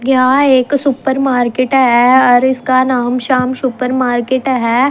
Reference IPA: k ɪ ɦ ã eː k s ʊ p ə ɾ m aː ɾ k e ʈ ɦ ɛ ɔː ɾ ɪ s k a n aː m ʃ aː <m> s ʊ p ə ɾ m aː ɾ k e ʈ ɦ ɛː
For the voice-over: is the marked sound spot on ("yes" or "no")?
yes